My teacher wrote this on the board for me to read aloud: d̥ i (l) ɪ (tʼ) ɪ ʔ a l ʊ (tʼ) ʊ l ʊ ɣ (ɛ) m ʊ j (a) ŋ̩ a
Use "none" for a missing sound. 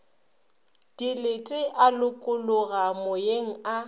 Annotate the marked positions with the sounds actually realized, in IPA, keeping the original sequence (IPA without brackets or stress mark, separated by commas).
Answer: l, tʼ, kʼ, a, e